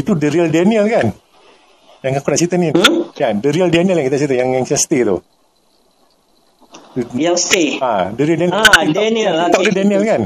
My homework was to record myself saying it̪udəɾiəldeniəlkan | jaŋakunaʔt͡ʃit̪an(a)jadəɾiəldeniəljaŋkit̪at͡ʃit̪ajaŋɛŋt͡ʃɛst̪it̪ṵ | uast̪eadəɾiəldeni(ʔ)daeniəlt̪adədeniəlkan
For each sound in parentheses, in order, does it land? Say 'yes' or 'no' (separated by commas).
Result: no, no